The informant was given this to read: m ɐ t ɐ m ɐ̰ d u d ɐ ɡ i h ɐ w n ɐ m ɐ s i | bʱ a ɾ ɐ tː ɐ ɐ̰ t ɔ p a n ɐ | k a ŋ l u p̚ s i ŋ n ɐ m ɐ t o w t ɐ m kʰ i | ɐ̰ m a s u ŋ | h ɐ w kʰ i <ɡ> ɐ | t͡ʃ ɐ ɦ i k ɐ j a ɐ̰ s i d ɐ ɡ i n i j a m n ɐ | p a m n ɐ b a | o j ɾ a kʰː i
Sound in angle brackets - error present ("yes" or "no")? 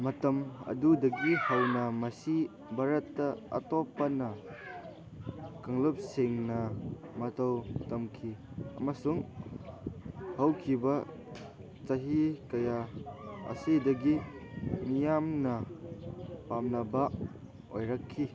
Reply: yes